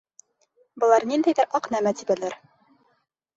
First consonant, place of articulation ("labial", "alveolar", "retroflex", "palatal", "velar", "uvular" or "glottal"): labial